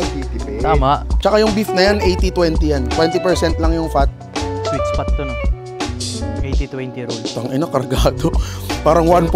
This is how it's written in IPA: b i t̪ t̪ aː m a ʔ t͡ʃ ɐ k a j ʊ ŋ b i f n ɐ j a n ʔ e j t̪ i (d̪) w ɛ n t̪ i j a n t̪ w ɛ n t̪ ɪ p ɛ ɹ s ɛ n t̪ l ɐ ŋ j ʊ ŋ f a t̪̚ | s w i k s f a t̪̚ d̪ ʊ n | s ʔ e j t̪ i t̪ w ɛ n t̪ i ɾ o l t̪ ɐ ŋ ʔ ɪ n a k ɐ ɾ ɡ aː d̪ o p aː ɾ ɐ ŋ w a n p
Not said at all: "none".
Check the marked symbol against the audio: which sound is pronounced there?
t̪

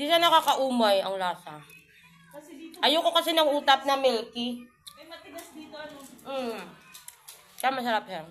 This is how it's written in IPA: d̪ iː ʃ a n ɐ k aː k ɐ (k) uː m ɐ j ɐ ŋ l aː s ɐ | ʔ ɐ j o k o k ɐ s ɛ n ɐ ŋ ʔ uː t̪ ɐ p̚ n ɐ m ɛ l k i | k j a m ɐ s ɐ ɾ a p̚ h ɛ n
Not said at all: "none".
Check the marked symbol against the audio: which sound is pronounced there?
ʔ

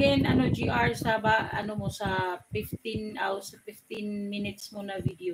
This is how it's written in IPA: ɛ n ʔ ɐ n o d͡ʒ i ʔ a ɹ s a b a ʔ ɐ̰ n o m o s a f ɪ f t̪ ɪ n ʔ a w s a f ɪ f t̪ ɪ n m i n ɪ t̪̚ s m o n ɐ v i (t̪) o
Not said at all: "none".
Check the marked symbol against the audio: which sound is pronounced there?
d̪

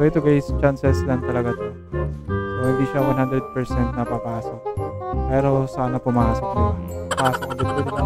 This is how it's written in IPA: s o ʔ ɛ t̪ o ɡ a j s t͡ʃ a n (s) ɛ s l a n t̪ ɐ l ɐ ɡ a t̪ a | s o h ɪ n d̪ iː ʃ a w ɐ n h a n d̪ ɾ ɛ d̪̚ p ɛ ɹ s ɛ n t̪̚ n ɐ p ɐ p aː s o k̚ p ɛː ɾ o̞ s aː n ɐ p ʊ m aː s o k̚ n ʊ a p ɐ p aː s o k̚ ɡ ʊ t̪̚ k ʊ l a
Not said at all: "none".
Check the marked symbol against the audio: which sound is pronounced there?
s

